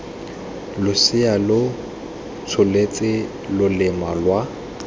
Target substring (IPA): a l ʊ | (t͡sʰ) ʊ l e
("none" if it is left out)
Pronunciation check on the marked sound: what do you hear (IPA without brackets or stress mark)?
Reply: t͡sʰ